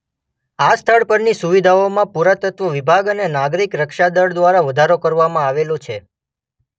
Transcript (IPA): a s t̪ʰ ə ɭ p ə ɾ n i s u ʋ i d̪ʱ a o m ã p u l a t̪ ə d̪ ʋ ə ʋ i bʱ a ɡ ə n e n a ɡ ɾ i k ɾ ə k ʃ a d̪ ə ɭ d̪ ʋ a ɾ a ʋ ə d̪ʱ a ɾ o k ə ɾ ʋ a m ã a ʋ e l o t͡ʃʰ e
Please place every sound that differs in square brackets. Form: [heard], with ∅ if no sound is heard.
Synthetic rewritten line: a s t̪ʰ ə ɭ p ə ɾ n i s u ʋ i d̪ʱ a o m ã p u [ɾ] a t̪ ə [t̪] ʋ ə ʋ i bʱ a ɡ ə n e n a ɡ ɾ i k ɾ ə k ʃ a d̪ ə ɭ d̪ ʋ a ɾ a ʋ ə d̪ʱ a ɾ o k ə ɾ ʋ a m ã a ʋ e l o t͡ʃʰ e